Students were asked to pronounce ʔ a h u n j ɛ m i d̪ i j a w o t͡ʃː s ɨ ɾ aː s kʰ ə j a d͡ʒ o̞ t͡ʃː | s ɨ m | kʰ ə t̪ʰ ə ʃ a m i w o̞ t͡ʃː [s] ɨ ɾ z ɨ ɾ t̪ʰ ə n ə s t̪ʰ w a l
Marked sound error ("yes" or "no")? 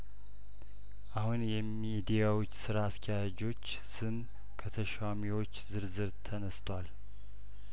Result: yes